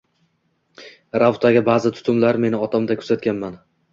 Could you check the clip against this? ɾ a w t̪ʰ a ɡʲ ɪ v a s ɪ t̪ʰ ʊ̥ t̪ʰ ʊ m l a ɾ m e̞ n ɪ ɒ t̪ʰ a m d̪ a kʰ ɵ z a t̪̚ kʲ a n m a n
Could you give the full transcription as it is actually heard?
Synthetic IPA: ɾ a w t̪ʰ a ɡʲ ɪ b a z ɪ t̪ʰ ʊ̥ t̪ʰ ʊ m l a ɾ m e̞ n ɪ ɒ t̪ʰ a m d̪ a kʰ ɵ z a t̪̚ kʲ a n m a n

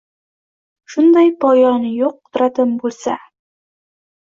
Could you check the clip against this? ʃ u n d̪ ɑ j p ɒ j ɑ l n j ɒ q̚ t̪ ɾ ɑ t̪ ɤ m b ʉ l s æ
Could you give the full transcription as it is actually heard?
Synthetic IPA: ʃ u n d̪ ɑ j p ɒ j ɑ n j u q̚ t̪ ɾ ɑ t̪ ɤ m b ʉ l s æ

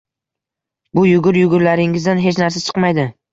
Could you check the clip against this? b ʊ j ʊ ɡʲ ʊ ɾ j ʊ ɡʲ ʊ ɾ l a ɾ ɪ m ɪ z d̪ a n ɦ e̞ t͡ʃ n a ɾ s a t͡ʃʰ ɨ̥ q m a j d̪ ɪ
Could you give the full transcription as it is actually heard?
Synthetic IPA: b ʊ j ʊ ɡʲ ʊ ɾ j ʊ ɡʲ ʊ ɾ l a ɾ ɪ ŋ ɪ z d̪ a n ɦ e̞ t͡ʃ n a ɾ s a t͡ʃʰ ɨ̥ q m a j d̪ ɪ

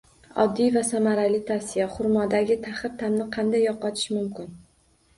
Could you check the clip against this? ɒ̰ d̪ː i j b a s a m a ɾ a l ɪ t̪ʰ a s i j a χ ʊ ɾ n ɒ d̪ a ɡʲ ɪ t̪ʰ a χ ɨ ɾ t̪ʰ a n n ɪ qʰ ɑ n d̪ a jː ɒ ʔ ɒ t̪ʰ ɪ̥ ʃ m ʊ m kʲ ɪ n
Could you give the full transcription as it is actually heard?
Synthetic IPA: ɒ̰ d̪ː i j v a s a m a ɾ a l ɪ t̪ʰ a s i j a χ ʊ ɾ m ɒ d̪ a ɡʲ ɪ t̪ʰ a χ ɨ ɾ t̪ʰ a m n ɪ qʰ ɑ n d̪ a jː ɒ q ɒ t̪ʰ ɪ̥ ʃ m ʊ m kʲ ɪ n

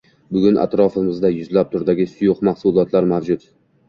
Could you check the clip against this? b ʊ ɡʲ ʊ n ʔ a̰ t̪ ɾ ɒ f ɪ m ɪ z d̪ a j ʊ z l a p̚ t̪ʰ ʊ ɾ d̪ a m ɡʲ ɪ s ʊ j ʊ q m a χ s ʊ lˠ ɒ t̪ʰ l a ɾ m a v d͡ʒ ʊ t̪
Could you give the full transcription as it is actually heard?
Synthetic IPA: b ʊ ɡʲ ʊ n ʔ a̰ t̪ ɾ ɒ f ɪ m ɪ z d̪ a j ʊ z l a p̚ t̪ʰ ʊ ɾ d̪ a ɡʲ ɪ s ʊ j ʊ q m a h s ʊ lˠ ɒ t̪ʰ l a ɾ m a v d͡ʒ ʊ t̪

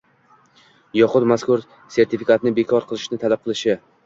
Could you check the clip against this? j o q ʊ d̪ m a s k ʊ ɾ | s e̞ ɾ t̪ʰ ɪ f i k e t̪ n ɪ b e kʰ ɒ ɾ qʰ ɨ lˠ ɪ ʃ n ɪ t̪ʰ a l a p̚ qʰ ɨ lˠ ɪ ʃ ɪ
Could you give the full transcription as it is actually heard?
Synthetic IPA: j ɒ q ʊ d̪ m a s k ʊ ɾ | s e̞ ɾ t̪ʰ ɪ f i k a t̪ n ɪ b e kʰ ɒ ɾ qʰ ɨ lˠ ɪ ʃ n ɪ t̪ʰ a l a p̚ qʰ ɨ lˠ ɪ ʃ ɪ

